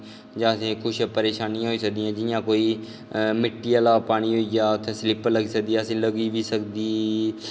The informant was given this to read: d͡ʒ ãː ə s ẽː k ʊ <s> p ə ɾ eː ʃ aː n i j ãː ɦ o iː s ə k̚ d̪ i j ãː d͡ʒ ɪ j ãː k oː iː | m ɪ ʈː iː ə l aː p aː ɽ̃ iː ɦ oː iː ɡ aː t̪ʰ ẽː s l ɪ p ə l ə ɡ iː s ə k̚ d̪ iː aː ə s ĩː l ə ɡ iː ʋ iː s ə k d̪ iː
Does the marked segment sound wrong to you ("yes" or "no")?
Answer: yes